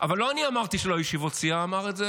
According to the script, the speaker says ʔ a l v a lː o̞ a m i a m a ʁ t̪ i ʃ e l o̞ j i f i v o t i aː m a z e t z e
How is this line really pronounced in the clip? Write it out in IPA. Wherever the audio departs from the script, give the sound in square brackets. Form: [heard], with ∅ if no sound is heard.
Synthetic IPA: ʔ a [∅] v a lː o̞ a [n] i a m a ʁ t̪ i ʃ e l o̞ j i [ʃ] i v o [t͡s] i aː m a [ʁ] e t z e